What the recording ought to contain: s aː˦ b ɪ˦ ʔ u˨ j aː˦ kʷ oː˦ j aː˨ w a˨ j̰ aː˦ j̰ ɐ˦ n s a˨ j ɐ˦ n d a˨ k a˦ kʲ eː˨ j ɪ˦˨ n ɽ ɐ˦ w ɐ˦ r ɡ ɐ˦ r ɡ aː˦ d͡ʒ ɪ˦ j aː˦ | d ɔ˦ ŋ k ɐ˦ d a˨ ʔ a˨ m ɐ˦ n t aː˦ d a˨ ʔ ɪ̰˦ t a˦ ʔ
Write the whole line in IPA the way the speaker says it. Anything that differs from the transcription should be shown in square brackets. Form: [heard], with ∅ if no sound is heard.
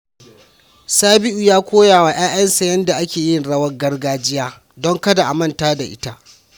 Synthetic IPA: s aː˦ b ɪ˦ ʔ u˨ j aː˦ kʷ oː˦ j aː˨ w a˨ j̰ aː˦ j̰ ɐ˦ n s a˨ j ɐ˦ n d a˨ [ʔ] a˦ kʲ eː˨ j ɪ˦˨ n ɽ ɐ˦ w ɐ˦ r ɡ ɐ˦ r ɡ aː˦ d͡ʒ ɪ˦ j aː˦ | d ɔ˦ ŋ k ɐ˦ d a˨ ʔ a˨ m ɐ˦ n t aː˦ d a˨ ʔ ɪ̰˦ t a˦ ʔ